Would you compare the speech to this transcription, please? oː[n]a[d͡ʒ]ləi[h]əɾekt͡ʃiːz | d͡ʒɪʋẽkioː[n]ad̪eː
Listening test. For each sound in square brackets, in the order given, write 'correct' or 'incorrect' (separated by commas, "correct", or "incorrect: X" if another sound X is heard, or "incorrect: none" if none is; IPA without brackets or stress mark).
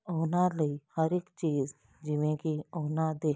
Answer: correct, incorrect: none, correct, correct